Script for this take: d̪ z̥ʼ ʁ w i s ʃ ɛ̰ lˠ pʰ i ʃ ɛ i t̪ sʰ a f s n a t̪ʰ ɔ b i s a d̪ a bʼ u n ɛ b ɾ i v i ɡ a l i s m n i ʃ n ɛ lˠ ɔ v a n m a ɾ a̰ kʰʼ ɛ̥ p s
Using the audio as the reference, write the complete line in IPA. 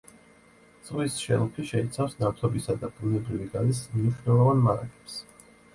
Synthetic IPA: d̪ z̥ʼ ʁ w i s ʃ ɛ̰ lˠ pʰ i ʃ ɛ i t̪ sʰ a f s n a t̪ʰ ɔ b i s a d̪ a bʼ u n ɛ b ɾ i v i ɡ a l i s m n i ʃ n ɛ lˠ ɔ v a n m a ɾ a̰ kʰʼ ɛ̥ p s